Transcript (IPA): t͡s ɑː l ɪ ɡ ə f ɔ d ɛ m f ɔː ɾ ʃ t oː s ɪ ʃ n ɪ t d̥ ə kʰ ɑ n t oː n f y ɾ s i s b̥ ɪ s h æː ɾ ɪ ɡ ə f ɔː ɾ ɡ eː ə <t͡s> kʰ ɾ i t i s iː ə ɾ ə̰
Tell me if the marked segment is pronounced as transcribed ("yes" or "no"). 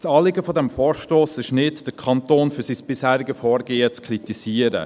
yes